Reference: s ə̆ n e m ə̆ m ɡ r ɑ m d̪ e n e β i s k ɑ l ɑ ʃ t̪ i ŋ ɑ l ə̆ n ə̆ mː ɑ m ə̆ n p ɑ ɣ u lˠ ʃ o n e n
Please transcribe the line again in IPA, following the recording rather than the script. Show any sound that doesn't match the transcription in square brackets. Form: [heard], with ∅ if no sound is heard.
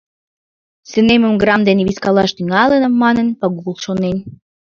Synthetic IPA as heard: s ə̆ n e m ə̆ m ɡ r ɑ m d̪ e n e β i s k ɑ l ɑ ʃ t̪ [y] ŋ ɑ l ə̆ n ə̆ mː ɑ [n] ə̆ n p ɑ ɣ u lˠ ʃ o n e n